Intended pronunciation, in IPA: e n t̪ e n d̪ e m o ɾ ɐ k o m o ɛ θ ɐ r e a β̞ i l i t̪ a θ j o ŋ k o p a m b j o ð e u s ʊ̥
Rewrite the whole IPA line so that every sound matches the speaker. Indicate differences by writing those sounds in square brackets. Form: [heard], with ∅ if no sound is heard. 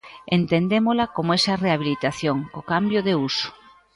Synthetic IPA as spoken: e n t̪ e n d̪ e m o [l] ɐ k o m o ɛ [s] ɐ r e a β̞ i l i t̪ a θ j o ŋ k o [k] a m b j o ð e u s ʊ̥